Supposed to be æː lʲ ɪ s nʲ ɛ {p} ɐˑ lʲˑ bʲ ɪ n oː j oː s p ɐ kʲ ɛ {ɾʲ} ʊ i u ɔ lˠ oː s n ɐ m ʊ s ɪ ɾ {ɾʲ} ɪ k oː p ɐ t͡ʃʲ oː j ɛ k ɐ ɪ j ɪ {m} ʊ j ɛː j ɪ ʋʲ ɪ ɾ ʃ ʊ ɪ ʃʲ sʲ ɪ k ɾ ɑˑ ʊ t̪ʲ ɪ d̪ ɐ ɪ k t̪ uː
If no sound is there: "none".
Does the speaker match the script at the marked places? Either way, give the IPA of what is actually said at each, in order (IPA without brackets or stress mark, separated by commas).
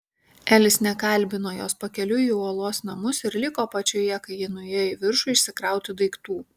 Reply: k, lʲ, lʲ, n